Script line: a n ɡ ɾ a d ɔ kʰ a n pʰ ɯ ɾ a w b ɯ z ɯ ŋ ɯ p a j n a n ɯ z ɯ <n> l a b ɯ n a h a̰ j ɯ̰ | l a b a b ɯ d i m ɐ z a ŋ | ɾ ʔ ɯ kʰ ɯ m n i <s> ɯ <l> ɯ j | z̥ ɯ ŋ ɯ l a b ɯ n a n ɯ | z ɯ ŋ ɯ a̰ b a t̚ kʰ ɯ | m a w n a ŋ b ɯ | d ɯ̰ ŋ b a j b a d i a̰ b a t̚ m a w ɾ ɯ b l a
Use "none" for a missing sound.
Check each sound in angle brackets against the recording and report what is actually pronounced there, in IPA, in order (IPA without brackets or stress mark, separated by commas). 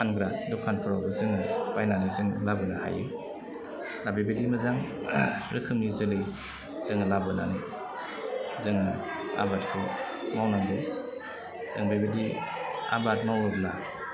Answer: ŋ, z, l